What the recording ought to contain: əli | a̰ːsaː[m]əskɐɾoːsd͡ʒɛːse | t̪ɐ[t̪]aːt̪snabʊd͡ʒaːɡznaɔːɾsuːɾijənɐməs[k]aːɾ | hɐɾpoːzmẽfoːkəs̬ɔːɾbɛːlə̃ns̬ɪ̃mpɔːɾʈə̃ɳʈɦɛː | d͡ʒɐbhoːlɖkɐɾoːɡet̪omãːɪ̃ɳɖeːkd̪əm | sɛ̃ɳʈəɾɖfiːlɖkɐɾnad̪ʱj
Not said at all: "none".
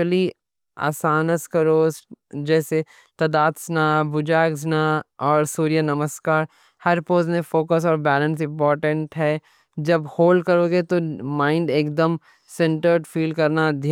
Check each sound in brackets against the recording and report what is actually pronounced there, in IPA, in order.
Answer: n, d̪, k

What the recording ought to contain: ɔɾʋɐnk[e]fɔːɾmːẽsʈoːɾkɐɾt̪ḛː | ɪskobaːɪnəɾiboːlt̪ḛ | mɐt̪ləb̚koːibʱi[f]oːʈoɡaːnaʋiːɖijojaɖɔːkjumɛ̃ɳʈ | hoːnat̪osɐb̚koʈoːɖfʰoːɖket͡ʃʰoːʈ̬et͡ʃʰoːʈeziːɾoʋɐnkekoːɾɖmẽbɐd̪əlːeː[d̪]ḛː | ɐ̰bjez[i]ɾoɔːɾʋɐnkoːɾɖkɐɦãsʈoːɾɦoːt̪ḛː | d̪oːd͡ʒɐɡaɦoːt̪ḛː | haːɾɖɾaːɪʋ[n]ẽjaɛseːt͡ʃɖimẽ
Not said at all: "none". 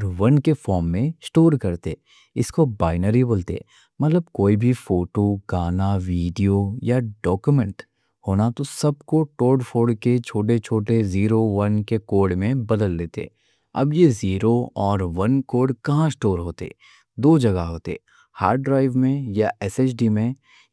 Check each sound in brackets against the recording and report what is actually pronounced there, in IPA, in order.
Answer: e, f, t̪, iː, m

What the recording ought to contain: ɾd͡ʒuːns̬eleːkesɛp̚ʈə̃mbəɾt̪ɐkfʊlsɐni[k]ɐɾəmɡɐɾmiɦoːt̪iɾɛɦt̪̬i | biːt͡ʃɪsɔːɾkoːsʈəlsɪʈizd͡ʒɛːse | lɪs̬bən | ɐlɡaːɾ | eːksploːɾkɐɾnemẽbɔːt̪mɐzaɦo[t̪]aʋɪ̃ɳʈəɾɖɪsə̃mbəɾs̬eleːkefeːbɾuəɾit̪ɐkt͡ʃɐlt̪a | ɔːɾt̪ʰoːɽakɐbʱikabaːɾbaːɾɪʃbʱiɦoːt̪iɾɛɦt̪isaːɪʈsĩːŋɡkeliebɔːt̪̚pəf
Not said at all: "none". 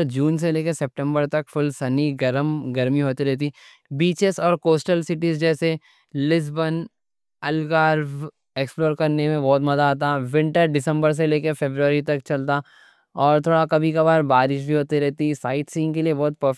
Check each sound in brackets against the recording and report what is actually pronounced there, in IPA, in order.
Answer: ɡ, t̪

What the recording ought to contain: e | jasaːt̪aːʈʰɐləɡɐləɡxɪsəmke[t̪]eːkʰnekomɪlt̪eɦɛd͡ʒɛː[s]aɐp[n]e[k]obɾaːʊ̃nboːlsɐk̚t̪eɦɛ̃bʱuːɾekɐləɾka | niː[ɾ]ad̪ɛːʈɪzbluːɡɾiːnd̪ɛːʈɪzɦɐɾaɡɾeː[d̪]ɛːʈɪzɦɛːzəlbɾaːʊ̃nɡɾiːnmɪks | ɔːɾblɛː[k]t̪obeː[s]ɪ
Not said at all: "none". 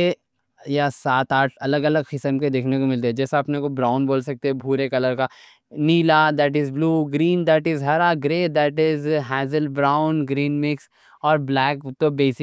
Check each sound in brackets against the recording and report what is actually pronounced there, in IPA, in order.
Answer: d̪, s, n, k, l, d̪, k, s

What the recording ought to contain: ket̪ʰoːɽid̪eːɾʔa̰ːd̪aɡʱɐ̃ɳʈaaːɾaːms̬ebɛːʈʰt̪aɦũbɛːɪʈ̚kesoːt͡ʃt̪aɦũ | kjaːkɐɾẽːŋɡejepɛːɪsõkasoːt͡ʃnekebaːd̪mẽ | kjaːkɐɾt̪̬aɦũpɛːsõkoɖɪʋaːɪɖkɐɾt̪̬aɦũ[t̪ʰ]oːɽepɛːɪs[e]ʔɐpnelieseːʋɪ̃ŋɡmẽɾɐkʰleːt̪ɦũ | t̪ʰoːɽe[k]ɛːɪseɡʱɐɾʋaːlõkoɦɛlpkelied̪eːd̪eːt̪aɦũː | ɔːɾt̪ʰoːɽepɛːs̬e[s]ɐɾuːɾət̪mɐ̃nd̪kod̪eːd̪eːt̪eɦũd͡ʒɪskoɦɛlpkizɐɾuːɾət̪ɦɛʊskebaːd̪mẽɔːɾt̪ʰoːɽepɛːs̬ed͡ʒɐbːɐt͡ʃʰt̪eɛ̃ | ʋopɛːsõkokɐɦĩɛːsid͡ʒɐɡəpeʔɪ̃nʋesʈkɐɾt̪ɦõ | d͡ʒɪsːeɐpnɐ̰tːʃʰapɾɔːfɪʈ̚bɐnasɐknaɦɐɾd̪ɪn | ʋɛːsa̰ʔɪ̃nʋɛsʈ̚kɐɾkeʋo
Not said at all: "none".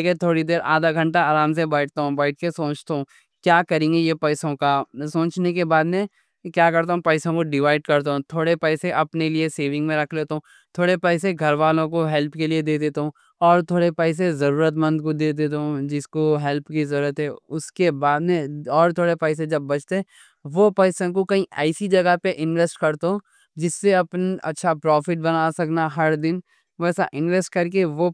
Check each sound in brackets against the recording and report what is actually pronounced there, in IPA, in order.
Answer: t̪ʰ, e, p, z

